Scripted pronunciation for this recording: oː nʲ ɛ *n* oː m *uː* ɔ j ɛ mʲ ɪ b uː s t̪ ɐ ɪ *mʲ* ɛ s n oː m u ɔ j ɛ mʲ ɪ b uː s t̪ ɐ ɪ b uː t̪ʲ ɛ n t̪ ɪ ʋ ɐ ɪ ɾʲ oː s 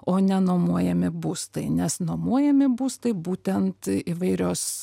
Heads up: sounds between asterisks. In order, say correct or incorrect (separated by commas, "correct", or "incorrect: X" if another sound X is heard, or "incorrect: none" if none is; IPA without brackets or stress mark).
correct, incorrect: u, incorrect: nʲ